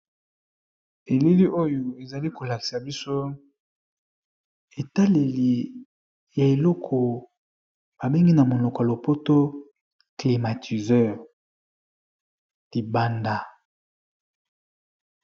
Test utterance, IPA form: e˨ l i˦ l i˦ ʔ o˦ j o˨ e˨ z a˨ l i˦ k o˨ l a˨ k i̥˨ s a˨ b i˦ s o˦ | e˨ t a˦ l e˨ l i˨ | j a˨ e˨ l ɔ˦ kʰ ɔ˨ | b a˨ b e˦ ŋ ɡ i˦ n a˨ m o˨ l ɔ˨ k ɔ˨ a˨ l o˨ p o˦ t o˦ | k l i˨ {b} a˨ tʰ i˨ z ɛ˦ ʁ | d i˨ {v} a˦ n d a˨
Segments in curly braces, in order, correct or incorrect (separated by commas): incorrect, incorrect